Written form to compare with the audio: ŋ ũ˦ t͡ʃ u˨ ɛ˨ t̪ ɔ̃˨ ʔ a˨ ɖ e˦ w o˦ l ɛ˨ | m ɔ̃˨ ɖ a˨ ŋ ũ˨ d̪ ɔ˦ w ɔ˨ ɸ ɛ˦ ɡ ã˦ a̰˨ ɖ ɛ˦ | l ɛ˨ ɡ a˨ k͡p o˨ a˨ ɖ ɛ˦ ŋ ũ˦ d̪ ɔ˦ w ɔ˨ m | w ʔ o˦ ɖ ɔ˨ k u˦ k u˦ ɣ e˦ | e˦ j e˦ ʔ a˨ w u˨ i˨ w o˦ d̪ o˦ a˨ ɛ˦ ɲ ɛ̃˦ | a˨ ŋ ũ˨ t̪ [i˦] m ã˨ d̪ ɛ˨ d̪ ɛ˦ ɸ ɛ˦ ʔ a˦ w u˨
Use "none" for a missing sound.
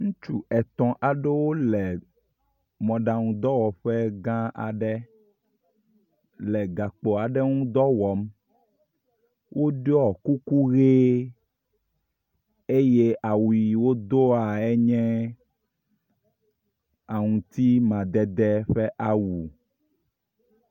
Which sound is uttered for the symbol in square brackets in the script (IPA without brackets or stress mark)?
i˦